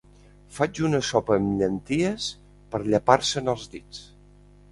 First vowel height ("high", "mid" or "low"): low